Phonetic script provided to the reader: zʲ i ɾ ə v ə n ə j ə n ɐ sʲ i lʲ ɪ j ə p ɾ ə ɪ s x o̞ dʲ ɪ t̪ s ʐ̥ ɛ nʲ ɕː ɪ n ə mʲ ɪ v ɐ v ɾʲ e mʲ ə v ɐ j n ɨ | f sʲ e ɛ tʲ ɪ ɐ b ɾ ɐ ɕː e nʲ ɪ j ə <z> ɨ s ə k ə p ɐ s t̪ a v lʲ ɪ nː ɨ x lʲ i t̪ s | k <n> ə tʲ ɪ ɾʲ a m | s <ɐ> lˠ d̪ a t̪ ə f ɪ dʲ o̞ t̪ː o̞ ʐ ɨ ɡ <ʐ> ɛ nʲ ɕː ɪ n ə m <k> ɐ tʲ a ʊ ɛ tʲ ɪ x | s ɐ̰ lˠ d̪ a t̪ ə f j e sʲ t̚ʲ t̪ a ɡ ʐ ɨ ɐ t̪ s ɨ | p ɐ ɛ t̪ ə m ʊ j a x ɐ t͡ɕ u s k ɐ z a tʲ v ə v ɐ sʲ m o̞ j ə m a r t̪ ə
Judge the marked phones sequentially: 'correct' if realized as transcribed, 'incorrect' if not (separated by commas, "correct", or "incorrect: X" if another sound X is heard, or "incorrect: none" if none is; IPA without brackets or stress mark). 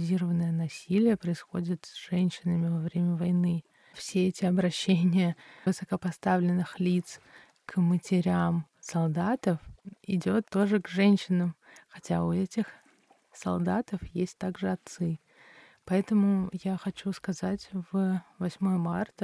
incorrect: v, incorrect: m, correct, correct, incorrect: x